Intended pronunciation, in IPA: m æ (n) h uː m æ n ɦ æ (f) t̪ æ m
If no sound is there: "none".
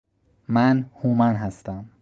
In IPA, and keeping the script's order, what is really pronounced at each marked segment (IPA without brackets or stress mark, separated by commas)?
n, s